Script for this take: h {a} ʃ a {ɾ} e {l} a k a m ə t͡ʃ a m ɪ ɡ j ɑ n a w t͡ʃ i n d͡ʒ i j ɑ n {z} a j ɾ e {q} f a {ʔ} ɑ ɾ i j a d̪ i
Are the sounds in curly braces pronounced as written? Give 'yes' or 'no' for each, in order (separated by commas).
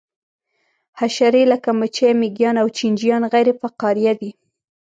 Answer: yes, yes, yes, no, no, no